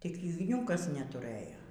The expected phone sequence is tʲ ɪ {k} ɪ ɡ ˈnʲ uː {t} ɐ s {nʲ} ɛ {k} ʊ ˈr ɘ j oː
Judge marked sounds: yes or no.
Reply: yes, no, yes, no

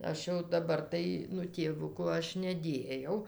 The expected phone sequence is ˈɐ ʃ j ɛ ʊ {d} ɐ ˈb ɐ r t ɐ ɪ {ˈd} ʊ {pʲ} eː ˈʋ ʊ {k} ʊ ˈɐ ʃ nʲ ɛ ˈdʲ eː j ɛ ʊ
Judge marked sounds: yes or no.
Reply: yes, no, no, yes

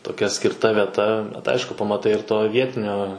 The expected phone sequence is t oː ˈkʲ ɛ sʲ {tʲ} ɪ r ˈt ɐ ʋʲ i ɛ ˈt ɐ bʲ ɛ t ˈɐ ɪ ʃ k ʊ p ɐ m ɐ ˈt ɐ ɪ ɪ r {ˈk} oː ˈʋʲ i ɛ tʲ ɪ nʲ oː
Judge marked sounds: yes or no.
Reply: no, no

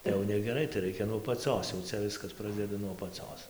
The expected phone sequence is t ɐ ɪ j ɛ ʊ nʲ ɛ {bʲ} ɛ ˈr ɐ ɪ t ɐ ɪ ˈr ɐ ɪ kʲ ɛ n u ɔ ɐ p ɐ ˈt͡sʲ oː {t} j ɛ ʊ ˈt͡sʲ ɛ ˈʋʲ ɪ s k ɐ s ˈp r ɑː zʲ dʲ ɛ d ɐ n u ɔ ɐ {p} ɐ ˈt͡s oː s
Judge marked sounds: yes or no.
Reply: no, no, yes

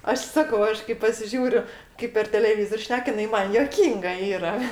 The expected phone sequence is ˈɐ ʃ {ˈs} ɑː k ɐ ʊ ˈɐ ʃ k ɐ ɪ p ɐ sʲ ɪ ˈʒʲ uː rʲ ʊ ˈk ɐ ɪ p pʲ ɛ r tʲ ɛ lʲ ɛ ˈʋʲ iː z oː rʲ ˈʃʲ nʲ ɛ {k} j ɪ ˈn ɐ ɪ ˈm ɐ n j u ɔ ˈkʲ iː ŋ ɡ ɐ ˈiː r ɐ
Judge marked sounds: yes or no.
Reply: yes, yes

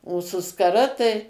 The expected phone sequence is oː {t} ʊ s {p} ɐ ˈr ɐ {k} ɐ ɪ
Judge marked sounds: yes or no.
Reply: no, no, no

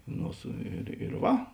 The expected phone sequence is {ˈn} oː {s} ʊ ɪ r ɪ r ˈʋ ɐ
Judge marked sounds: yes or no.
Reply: yes, yes

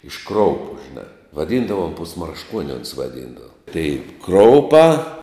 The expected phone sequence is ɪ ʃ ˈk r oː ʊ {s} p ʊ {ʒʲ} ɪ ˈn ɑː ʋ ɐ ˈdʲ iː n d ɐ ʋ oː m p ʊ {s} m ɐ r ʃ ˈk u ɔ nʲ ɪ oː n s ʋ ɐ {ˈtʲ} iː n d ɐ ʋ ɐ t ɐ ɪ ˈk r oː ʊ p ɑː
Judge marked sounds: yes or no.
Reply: no, yes, yes, no

